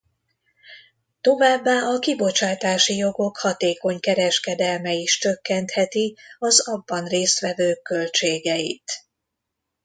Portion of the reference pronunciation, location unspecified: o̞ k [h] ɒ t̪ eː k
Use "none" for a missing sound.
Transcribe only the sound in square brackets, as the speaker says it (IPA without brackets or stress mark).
h